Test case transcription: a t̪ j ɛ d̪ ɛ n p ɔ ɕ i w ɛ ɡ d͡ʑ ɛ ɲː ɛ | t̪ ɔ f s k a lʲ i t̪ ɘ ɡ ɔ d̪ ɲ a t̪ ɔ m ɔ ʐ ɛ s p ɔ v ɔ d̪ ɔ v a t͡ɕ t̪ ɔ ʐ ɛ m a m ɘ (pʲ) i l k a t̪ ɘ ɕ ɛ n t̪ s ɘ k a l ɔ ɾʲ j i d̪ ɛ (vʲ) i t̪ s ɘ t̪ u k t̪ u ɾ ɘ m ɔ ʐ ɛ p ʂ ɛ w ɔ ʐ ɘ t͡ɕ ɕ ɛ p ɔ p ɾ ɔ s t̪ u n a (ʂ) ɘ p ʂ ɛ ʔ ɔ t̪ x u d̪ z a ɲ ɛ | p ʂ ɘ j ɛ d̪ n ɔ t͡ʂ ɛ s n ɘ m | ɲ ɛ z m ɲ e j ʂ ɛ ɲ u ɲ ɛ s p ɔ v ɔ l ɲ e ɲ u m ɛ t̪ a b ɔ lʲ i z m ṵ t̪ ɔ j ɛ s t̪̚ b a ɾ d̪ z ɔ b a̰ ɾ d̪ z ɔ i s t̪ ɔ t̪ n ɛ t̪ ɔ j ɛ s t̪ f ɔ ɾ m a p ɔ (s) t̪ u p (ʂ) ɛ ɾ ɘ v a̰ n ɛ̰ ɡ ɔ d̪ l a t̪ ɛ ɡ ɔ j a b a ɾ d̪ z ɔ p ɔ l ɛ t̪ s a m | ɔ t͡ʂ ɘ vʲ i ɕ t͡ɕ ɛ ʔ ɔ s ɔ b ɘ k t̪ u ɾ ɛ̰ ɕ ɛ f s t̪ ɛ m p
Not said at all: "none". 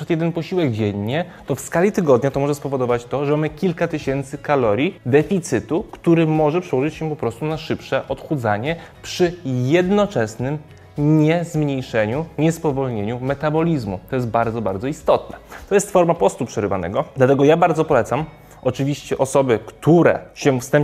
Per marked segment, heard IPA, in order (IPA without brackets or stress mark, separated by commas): kʲ, fʲ, ʂ, s, ʂ